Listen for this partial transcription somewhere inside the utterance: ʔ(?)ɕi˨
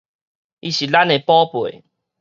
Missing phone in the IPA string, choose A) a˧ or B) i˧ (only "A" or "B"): B